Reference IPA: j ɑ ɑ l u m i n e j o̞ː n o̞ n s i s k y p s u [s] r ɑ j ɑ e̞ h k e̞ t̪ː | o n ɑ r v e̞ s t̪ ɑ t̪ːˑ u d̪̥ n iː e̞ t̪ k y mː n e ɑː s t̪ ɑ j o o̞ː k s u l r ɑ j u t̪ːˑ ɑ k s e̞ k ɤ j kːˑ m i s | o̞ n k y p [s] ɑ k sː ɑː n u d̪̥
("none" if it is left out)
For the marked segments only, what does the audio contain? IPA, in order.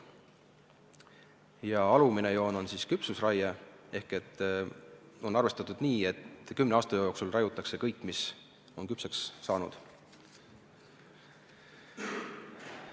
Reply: s, s

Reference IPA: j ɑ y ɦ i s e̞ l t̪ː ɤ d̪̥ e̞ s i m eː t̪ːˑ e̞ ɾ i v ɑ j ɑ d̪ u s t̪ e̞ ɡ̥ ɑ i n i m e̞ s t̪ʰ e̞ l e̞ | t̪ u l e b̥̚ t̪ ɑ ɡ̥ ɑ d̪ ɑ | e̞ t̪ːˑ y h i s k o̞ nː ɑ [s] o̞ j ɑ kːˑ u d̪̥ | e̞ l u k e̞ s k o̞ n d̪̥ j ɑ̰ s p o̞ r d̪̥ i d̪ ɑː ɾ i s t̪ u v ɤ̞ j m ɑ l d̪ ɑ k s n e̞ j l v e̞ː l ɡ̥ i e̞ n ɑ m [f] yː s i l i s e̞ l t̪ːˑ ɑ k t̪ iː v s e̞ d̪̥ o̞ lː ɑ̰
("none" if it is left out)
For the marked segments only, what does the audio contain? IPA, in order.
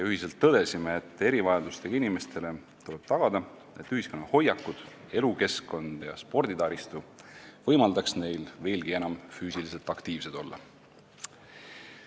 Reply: h, f

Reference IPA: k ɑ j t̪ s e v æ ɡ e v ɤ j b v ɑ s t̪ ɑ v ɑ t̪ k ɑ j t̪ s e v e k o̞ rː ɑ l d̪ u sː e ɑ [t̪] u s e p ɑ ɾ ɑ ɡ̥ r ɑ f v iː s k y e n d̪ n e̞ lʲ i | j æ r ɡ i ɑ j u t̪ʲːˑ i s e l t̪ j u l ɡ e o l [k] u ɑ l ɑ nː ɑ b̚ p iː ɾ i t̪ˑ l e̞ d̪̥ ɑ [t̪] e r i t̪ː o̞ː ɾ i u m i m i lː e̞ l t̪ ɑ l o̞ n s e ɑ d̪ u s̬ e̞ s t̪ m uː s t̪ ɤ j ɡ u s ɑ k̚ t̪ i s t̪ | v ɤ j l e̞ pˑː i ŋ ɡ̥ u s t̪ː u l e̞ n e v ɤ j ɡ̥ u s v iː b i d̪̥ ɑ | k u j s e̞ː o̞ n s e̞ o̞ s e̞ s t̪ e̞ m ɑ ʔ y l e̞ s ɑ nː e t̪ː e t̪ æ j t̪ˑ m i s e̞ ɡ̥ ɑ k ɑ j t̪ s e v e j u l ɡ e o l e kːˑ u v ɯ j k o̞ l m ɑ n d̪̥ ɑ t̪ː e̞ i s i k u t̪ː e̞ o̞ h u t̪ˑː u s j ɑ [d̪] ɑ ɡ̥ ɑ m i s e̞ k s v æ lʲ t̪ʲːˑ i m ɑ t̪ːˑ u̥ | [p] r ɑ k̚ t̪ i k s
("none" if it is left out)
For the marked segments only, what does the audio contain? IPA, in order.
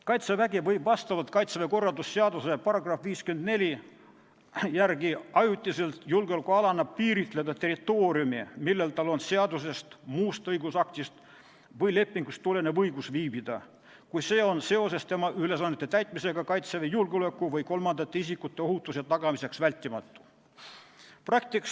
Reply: d̪, k, t̪, t̪, p

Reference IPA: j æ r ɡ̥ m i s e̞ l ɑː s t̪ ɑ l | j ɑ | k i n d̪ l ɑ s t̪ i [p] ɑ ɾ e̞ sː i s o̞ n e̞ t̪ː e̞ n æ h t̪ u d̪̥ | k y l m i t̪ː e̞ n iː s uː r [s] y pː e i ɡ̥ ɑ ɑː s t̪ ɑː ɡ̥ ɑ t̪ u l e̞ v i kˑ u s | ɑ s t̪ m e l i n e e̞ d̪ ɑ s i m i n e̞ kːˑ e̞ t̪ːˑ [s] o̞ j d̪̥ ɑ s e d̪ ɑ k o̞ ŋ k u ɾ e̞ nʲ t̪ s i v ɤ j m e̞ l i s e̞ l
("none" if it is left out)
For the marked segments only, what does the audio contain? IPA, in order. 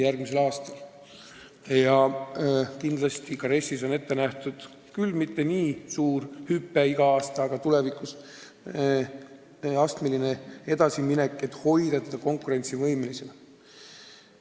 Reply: k, h, h

